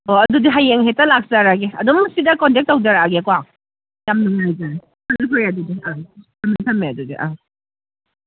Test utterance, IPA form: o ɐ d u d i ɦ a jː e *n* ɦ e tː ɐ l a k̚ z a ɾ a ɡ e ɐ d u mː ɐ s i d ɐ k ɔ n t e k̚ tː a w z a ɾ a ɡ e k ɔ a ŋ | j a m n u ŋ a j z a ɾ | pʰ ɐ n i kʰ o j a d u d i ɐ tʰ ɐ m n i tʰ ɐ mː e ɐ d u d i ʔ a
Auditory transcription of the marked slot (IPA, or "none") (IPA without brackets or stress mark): ŋ